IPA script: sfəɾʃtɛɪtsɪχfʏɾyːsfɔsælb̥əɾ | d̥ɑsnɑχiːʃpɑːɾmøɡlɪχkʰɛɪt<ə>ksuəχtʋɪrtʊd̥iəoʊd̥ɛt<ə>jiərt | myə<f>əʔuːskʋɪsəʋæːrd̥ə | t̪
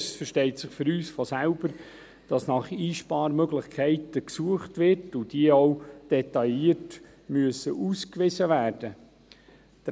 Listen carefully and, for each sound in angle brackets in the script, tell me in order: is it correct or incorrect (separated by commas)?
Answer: correct, incorrect, incorrect